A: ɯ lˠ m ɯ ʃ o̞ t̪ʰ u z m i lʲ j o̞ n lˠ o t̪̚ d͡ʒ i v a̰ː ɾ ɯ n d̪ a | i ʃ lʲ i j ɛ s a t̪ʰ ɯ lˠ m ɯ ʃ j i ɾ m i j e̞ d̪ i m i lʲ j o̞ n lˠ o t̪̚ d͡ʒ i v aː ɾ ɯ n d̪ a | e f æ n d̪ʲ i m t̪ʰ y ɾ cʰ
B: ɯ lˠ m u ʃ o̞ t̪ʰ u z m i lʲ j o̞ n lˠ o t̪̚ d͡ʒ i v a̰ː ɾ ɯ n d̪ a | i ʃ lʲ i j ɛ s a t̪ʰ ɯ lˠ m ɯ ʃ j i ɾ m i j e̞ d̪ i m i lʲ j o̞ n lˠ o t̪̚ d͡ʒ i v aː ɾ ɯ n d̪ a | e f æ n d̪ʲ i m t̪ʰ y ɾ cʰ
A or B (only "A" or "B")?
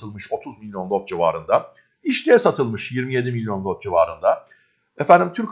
A